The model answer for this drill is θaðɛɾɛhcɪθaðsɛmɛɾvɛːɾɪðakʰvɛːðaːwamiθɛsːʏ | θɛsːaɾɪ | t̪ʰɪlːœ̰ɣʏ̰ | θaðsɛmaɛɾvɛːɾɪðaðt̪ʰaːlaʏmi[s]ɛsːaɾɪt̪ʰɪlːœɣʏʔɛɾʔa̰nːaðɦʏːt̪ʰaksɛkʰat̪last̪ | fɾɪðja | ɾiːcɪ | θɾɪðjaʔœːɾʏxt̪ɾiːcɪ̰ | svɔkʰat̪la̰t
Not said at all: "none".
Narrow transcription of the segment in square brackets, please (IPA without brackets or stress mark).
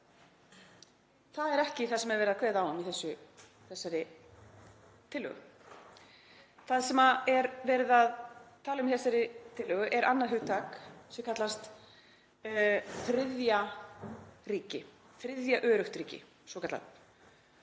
θ